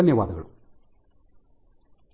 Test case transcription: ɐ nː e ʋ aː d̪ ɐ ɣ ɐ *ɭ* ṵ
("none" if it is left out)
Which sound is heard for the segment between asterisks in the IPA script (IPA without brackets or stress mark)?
ɭ